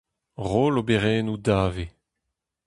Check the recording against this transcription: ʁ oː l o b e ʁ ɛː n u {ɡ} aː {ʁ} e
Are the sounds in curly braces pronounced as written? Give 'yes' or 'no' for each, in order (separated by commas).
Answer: no, no